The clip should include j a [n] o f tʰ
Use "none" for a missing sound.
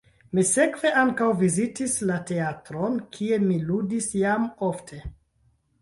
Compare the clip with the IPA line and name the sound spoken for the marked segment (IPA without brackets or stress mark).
m